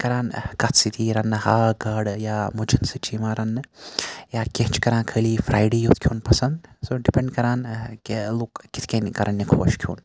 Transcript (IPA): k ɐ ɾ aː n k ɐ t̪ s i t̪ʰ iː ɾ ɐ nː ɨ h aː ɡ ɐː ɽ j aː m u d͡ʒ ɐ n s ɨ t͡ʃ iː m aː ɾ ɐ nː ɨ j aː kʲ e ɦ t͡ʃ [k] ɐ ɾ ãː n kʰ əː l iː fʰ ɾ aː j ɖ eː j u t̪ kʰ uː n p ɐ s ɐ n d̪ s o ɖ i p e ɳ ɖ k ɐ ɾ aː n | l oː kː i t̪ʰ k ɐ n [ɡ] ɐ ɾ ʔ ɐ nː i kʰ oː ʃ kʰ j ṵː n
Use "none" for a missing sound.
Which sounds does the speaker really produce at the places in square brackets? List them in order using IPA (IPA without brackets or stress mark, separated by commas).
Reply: k, k